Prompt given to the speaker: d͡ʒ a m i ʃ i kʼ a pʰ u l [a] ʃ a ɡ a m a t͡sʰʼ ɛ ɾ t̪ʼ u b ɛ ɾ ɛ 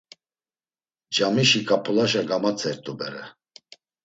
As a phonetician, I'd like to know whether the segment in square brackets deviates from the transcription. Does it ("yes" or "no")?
no